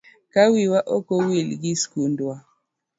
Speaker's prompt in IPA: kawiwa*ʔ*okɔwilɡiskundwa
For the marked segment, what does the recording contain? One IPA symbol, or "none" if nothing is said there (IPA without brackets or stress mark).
ʔ